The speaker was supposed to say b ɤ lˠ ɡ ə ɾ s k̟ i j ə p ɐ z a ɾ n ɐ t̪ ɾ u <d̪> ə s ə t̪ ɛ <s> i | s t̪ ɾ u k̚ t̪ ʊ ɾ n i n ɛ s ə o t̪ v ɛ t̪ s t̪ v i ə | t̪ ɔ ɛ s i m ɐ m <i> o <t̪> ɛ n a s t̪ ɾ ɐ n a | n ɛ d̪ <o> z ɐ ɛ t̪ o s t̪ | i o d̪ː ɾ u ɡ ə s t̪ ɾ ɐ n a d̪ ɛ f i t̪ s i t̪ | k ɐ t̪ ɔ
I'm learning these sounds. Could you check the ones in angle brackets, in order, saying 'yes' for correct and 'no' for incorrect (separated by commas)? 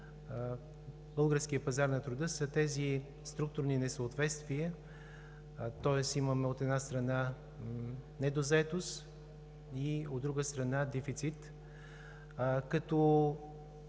yes, no, no, yes, yes